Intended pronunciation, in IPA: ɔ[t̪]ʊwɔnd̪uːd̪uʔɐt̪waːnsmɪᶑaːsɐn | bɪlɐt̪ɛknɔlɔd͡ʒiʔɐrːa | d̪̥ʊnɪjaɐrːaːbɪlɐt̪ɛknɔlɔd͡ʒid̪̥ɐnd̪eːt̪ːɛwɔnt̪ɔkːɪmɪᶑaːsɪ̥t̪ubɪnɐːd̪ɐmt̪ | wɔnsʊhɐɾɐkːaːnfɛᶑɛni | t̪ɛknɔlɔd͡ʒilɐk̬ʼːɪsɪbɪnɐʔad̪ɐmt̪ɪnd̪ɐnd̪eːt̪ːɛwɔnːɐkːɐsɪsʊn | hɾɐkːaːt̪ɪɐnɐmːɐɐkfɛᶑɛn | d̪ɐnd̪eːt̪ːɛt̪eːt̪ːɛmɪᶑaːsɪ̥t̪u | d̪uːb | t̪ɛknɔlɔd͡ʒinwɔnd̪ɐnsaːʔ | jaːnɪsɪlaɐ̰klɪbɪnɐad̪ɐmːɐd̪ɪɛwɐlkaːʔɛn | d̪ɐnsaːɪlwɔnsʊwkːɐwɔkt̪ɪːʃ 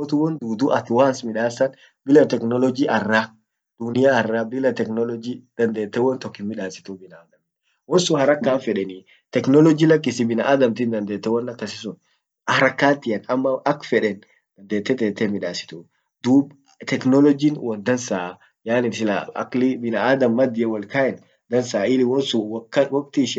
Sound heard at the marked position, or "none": t̪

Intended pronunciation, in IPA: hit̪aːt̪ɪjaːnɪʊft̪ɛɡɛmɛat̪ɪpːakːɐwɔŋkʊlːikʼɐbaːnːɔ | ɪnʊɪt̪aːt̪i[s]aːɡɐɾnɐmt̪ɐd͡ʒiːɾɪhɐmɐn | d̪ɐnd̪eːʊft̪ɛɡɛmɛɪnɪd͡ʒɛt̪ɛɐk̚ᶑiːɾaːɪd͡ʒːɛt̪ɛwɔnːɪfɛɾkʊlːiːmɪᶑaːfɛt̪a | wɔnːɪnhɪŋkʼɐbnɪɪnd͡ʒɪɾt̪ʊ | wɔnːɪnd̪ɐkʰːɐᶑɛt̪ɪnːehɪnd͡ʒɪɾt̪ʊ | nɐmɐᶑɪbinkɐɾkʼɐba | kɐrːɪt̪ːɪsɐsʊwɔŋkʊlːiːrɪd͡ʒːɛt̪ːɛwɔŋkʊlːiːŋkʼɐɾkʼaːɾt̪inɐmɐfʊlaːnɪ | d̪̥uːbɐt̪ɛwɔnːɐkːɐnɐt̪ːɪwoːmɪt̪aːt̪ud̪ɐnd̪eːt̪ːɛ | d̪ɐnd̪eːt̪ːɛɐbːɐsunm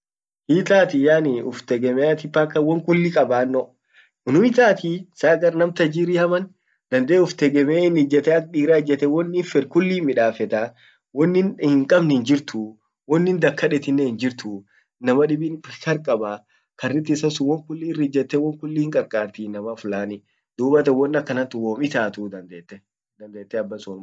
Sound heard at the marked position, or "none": s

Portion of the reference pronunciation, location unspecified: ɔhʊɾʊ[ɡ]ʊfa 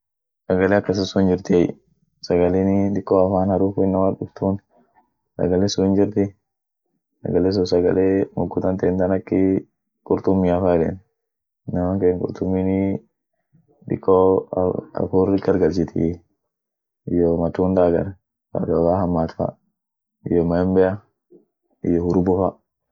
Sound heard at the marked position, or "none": b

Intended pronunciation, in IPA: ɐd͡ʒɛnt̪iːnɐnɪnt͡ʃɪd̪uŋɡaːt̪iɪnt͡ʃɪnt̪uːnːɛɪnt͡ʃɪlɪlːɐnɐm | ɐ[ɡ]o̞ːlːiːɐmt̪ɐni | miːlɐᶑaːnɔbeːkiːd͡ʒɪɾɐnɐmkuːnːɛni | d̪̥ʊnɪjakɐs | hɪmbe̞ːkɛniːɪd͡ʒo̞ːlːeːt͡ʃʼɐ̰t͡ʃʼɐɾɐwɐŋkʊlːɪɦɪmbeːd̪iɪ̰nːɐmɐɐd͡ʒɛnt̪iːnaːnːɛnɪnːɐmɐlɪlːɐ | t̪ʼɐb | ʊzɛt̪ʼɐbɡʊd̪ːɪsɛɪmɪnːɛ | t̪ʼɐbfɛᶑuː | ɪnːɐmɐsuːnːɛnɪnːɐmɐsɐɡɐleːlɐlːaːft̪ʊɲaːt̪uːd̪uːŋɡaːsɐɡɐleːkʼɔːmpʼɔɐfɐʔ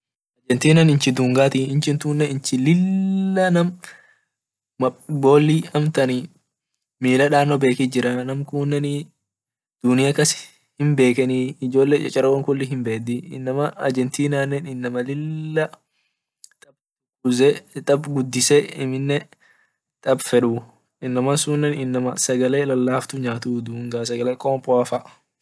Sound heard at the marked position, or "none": b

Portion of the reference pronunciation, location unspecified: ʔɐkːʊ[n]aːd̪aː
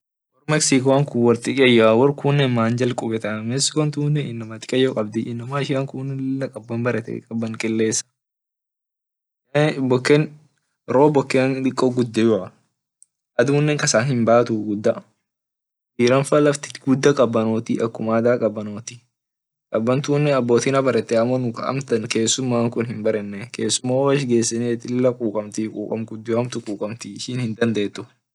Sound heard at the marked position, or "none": m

